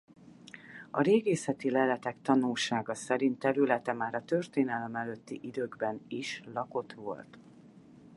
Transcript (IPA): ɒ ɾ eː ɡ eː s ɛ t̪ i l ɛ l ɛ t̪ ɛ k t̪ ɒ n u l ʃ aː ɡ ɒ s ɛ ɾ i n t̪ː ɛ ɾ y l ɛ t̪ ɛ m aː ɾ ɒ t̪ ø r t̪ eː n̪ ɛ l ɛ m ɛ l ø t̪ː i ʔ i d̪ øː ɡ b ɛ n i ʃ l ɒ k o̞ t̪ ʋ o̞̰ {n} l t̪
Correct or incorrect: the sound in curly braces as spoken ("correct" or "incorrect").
incorrect